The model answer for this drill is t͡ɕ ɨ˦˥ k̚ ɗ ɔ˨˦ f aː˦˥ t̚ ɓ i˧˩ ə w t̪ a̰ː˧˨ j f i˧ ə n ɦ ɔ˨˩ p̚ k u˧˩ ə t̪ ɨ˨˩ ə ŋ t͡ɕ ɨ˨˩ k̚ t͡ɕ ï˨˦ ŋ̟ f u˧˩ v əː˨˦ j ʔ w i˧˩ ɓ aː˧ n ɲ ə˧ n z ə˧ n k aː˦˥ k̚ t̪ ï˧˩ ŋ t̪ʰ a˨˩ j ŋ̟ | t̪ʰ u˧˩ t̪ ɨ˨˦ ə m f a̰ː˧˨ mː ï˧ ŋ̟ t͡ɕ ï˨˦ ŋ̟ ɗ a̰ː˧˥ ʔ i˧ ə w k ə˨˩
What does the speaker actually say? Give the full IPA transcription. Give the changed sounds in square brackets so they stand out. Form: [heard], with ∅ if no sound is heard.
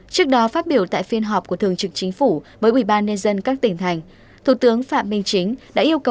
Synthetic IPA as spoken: t͡ɕ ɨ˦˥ k̚ ɗ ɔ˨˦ f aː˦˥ t̚ ɓ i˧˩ ə w t̪ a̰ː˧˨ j f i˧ ə n ɦ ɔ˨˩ p̚ k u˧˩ ə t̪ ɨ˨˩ ə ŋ t͡ɕ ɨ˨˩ k̚ t͡ɕ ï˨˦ ŋ̟ f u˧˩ v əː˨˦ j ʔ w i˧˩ ɓ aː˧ n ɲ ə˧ n z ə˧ n k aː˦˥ k̚ t̪ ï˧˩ ŋ t̪ʰ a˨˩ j ŋ̟ | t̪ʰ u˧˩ t̪ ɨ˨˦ ə [ŋ] f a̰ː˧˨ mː ï˧ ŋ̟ t͡ɕ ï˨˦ ŋ̟ ɗ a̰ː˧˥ ʔ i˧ ə w k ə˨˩